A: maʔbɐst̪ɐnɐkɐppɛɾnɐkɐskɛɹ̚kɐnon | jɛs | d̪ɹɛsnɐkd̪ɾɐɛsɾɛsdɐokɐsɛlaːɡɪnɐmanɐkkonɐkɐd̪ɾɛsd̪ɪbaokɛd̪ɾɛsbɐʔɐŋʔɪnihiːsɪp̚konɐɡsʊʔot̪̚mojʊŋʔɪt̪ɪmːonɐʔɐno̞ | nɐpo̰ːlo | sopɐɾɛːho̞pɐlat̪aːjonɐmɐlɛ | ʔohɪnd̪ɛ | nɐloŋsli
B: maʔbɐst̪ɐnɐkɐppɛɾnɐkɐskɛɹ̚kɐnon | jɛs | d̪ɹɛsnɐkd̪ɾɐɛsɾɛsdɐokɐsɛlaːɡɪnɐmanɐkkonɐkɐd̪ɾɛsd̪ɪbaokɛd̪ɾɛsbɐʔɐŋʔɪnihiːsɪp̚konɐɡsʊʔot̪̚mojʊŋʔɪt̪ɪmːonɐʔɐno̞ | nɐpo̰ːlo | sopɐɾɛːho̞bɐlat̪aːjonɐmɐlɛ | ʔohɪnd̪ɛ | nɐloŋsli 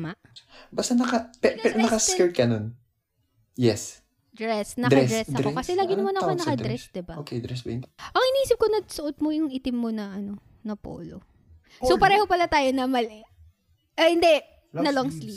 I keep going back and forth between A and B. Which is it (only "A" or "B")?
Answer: A